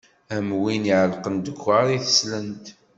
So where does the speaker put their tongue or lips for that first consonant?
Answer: lips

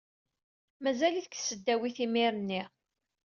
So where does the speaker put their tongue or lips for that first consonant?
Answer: lips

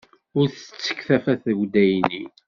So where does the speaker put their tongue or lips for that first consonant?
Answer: tongue tip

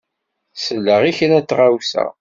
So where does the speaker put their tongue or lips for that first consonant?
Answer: tongue tip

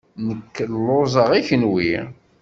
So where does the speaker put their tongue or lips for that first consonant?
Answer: tongue tip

